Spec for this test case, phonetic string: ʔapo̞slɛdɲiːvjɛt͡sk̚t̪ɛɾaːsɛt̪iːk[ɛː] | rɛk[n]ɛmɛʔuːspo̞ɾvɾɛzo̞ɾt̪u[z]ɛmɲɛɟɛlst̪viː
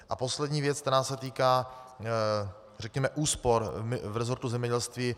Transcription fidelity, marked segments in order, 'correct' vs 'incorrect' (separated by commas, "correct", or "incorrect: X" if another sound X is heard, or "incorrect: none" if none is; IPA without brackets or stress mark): incorrect: aː, incorrect: ɲ, correct